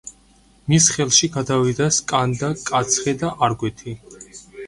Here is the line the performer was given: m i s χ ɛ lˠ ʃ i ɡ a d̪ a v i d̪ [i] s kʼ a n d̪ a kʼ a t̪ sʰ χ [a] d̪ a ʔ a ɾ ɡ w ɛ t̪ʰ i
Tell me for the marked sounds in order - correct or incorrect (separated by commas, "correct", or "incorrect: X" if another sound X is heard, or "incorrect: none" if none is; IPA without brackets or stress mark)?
incorrect: a, incorrect: ɛ